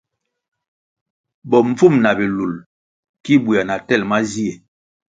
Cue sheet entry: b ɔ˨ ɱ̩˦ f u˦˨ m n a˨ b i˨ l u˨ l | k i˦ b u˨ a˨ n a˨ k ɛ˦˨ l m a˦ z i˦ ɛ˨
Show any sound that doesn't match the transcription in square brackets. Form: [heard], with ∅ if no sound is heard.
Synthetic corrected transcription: b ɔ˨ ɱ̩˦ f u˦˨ m n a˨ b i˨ l u˨ l | k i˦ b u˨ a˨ n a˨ [t] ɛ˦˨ l m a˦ z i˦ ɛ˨